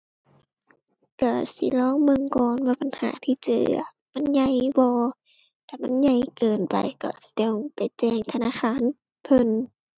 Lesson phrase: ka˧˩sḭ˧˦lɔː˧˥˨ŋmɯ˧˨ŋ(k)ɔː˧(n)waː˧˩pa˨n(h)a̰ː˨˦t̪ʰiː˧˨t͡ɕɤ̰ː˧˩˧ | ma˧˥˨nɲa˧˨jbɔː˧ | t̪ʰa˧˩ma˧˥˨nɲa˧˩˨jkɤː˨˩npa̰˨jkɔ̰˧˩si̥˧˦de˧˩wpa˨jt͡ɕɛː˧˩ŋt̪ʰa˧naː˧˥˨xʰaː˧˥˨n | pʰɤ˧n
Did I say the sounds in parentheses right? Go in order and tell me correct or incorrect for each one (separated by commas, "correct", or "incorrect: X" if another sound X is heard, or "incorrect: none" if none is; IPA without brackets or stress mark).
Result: correct, correct, correct